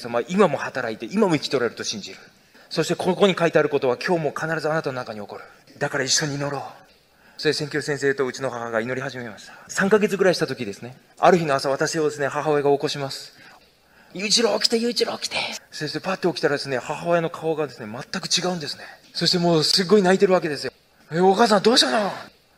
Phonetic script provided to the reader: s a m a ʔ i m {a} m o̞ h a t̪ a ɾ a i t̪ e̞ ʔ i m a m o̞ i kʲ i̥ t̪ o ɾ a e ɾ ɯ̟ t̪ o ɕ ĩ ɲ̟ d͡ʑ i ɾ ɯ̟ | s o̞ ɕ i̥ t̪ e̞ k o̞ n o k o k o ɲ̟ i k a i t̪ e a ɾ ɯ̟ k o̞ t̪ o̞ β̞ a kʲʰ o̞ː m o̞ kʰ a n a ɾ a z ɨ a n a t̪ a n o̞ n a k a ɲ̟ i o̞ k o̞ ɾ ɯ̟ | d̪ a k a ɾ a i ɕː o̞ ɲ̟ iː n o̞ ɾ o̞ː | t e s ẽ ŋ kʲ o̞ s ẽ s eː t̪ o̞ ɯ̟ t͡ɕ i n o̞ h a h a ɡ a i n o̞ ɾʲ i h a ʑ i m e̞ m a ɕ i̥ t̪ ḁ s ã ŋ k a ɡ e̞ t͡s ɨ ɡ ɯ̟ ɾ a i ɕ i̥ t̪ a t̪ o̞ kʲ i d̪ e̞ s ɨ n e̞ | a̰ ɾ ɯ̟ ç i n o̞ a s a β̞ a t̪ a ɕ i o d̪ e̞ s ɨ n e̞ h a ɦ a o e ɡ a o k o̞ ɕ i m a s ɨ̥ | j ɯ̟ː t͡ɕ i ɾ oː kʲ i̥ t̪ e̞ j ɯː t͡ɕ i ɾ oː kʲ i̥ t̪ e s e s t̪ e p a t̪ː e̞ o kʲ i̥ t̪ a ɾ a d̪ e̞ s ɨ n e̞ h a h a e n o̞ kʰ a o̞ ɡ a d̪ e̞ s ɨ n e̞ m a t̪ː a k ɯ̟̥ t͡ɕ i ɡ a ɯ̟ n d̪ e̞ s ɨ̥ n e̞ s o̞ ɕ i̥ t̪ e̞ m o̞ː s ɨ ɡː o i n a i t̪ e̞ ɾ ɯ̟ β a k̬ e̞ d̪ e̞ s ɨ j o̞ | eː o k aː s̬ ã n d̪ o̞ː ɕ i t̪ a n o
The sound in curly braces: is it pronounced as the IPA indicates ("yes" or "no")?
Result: yes